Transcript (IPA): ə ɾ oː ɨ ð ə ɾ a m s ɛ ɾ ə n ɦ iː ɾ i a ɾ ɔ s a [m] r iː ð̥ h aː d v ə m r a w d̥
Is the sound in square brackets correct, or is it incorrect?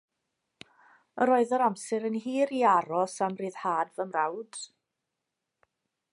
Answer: correct